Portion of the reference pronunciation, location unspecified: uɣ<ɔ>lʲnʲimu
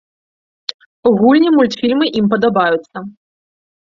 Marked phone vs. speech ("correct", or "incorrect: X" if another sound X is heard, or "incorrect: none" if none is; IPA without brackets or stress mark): incorrect: u